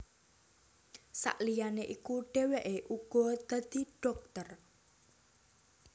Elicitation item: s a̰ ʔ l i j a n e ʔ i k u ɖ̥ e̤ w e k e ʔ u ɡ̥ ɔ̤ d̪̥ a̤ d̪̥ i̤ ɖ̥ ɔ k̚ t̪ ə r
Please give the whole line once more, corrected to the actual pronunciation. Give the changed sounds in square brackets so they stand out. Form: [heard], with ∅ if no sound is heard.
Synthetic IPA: s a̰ ʔ l i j a n e ʔ i k u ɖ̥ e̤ w e [ʔ] e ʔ u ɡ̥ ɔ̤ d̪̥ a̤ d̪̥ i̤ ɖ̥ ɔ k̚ t̪ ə r